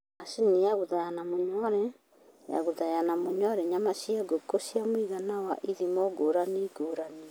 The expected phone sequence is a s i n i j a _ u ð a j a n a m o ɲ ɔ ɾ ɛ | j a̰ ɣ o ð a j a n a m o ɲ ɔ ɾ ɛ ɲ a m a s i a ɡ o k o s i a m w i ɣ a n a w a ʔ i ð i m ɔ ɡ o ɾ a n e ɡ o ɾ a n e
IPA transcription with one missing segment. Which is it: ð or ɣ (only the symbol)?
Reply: ɣ